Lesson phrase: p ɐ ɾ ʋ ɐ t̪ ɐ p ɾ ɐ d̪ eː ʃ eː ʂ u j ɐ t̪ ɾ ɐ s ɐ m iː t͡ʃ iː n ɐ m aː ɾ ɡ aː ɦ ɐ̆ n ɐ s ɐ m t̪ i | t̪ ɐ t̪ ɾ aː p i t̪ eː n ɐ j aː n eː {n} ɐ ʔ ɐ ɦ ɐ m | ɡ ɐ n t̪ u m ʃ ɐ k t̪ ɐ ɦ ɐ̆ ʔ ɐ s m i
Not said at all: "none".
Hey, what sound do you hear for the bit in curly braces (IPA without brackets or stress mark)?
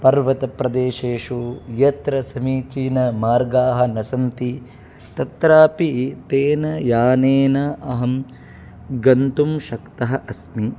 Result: n